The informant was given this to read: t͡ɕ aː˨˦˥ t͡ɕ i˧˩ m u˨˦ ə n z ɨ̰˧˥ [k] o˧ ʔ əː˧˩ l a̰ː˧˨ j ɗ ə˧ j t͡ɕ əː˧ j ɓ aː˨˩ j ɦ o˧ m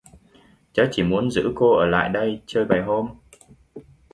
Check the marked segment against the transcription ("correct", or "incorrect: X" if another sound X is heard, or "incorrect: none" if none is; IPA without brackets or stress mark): correct